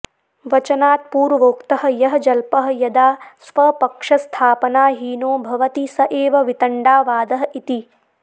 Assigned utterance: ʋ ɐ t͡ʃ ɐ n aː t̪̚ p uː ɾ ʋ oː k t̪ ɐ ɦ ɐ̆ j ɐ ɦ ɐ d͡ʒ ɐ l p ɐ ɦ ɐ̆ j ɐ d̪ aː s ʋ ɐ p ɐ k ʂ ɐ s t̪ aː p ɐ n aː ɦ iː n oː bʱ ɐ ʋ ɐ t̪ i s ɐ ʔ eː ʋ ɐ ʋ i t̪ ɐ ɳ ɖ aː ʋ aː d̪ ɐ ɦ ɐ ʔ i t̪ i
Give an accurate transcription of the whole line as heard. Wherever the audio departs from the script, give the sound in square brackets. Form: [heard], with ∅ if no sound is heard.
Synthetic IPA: ʋ ɐ t͡ʃ ɐ n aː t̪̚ p uː ɾ ʋ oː k t̪ ɐ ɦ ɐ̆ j ɐ ɦ ɐ d͡ʒ ɐ l p ɐ ɦ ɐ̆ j ɐ d̪ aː s ʋ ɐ p ɐ k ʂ ɐ s [t̪ʰ] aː p ɐ n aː ɦ iː n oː bʱ ɐ ʋ ɐ t̪ i s ɐ ʔ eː ʋ ɐ ʋ i t̪ ɐ ɳ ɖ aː ʋ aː d̪ ɐ ɦ ɐ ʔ i t̪ i